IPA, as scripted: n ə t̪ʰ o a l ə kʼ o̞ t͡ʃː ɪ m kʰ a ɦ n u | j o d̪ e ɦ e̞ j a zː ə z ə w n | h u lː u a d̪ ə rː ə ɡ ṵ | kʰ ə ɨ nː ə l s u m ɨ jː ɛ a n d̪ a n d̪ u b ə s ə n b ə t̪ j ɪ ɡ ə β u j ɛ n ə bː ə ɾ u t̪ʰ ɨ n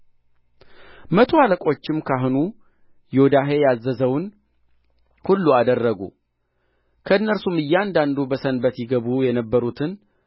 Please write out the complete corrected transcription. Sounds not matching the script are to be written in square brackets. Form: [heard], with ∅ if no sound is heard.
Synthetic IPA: [m] ə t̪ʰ o a l ə kʼ o̞ t͡ʃː ɪ m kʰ a ɦ n u | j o d̪ [a] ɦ e̞ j a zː ə z ə w n | h u lː u a d̪ ə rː ə ɡ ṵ | kʰ ə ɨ nː ə [ɾ] s u m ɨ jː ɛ a n d̪ a n d̪ u b ə s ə n b ə t̪ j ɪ ɡ ə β u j ɛ n ə bː ə ɾ u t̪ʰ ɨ n